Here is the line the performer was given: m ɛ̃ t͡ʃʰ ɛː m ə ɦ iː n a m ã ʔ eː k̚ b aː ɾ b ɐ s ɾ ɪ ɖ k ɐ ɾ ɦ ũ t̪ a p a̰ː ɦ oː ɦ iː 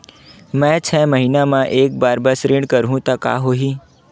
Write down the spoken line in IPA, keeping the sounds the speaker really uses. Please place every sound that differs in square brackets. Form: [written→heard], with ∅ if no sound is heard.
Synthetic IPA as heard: m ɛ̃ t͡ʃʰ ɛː m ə ɦ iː n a m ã ʔ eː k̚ b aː ɾ b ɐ s ɾ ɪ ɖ k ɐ ɾ ɦ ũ t̪ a [p→k] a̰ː ɦ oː ɦ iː